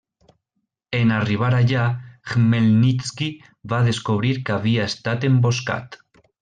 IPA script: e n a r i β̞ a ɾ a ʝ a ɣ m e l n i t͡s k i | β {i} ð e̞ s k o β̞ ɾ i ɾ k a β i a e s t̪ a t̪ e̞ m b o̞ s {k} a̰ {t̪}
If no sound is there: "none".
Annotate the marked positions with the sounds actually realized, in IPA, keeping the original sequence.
a, k, t̪

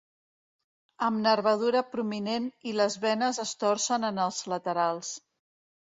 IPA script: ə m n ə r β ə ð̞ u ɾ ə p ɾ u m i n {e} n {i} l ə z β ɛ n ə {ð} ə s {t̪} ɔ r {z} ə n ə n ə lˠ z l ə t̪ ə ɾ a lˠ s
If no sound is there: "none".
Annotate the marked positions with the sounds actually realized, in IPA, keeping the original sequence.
e, i, z, t̪, s

